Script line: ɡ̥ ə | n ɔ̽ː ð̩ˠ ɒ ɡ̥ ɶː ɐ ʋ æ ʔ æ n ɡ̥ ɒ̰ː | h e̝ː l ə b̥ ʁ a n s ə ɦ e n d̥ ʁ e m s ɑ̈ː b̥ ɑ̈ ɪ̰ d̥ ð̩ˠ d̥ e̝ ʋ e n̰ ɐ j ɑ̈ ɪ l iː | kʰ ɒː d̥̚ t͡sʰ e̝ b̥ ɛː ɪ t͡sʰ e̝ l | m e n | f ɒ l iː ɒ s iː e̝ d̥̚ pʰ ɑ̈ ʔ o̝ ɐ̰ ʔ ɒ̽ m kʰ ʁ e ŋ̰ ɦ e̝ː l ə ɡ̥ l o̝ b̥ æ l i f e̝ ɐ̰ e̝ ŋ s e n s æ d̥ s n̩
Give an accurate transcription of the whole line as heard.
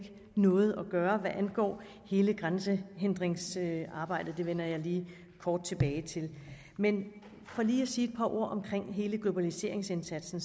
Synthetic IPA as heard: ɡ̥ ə | n ɔ̽ː ð̩ˠ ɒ ɡ̥ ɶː ɐ ʋ æ ʔ æ n ɡ̥ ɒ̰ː | h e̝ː l ə ɡ̥ ʁ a n s ə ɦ e n d̥ ʁ e ŋ s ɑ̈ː b̥ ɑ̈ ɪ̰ d̥ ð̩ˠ d̥ e̝ ʋ e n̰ ɐ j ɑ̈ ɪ l iː | kʰ ɒː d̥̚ t͡sʰ e̝ b̥ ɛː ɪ t͡sʰ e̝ l | m e n | f ɒ l iː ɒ s iː e̝ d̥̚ pʰ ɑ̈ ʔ o̝ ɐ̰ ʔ ɒ̽ m kʰ ʁ e ŋ̰ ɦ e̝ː l ə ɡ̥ l o̝ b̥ æ l i s e̝ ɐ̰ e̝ ŋ s e n s æ d̥ s n̩